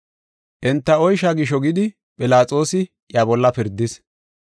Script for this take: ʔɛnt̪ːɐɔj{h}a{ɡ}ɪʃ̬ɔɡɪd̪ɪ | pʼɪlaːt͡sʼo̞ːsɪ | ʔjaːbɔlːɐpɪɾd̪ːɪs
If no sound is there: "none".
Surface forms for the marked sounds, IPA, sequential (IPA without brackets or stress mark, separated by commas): ʃ, ɡ